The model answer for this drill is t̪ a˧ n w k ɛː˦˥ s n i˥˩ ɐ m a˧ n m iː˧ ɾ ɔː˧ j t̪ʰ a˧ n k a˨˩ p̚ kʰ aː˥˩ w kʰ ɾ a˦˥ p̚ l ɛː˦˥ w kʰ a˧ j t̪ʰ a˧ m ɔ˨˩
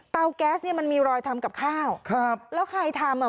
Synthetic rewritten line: t̪ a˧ w k ɛː˦˥ s n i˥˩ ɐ m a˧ n m iː˧ ɾ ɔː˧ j t̪ʰ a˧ m k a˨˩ p̚ kʰ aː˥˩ w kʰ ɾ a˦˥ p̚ l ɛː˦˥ w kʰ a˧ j t̪ʰ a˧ m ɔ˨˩